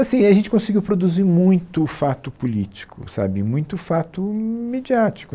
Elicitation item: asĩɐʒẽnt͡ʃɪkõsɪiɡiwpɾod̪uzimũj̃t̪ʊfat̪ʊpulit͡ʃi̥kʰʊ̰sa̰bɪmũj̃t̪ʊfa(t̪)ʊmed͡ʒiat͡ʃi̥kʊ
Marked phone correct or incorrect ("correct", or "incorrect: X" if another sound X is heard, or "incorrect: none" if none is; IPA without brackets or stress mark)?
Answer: correct